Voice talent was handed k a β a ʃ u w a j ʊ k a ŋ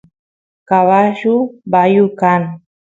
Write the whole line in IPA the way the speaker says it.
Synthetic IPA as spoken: k a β a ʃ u b a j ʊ k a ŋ